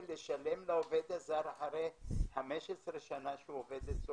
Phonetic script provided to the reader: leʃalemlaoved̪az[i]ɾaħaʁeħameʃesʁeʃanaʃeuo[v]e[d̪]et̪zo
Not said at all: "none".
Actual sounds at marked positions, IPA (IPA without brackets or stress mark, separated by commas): a, v, d̪